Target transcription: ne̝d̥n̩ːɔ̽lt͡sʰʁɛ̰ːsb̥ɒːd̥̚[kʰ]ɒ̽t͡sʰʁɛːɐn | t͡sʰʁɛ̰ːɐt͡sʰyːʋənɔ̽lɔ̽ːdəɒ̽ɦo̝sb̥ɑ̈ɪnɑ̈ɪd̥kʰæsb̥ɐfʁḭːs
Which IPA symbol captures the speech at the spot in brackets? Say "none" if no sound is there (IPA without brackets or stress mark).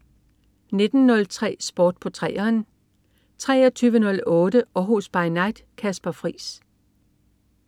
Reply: pʰ